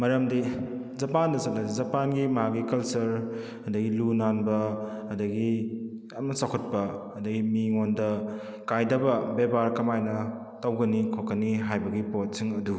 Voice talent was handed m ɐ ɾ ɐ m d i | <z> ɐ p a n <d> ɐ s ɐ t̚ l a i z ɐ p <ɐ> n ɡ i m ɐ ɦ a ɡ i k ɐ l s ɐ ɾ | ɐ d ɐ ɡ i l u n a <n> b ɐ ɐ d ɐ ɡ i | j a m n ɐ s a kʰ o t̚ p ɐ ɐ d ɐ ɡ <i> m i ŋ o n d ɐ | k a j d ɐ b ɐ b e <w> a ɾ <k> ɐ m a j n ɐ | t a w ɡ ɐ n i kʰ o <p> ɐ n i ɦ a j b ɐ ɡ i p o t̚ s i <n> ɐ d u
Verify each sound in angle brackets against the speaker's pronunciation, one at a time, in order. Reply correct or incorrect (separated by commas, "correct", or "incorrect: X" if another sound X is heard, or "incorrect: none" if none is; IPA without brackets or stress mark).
correct, correct, incorrect: a, correct, correct, incorrect: b, correct, incorrect: k, incorrect: ŋ